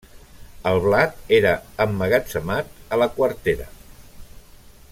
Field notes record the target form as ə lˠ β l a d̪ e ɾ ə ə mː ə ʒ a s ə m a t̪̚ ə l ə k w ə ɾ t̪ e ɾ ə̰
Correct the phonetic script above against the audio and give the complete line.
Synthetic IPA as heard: ə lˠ β l a t̪ e ɾ ə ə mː ə ɣ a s ə m a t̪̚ ə l ə k w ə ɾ t̪ e ɾ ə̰